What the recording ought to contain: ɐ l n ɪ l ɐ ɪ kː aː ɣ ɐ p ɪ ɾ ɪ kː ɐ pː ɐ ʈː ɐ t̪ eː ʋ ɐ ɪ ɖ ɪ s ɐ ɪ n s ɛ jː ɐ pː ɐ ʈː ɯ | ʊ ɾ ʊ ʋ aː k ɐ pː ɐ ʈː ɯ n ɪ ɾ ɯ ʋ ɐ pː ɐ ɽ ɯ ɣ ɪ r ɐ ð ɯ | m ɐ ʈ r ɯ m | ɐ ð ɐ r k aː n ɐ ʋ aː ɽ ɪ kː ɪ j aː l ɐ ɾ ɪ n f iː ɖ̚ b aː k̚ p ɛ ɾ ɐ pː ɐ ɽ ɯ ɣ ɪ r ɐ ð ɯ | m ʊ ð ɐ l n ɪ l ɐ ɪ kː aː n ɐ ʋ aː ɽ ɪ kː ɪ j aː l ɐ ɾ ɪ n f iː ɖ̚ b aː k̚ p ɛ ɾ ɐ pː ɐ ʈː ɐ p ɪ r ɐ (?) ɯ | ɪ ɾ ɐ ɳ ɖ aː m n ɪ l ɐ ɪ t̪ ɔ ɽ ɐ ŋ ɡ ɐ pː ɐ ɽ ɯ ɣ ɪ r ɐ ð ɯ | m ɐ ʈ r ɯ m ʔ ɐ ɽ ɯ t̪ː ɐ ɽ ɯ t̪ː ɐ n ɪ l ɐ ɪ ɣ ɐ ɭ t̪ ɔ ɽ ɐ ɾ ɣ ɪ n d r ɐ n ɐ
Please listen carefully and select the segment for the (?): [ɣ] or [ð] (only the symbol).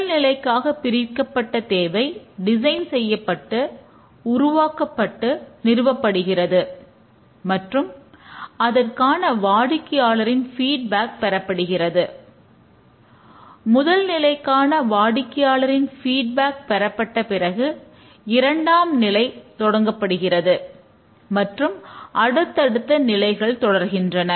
ɣ